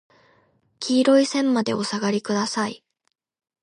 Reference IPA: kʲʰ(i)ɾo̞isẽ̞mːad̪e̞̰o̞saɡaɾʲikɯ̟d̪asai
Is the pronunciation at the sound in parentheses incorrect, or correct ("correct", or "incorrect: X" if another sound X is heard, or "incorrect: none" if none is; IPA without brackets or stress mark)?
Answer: incorrect: iː